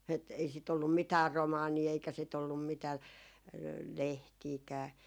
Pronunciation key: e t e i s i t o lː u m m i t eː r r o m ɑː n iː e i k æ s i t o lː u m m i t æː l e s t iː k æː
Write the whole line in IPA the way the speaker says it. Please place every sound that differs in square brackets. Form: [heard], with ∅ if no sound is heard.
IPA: e t e i s i t o lː u m m i t [æː] r r o m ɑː n iː e i k æ s i t o lː u m m i t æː l e [h] t iː k æː